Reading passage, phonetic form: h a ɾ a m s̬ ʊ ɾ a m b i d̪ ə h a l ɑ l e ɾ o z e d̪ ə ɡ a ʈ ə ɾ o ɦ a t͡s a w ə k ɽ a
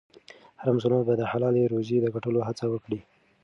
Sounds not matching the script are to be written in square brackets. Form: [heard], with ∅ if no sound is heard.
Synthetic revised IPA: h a ɾ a m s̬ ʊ [l] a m b [a] d̪ ə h a l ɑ l e ɾ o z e d̪ ə ɡ a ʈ ə [l] o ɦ a t͡s a w ə k ɽ [i]